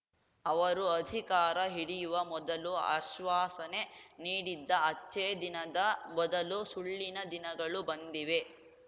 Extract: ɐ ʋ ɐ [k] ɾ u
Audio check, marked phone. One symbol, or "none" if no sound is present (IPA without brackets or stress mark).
none